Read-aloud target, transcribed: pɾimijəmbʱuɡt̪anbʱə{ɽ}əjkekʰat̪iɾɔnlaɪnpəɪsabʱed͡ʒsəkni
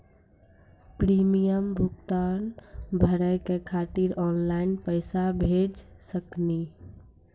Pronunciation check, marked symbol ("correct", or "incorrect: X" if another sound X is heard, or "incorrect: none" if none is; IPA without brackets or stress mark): incorrect: ɾ